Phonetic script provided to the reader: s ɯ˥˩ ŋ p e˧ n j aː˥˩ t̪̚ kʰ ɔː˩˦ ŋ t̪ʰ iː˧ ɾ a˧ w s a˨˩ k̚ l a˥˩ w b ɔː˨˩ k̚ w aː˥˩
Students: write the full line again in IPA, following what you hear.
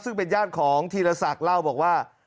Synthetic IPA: s ɯ˥˩ ŋ p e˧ n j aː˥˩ t̪̚ kʰ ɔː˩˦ ŋ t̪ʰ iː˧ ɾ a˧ s a˨˩ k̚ l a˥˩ w b ɔː˨˩ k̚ w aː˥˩